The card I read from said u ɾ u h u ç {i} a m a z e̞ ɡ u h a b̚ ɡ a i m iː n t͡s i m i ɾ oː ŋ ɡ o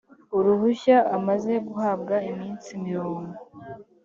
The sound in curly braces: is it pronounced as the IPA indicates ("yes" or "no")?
no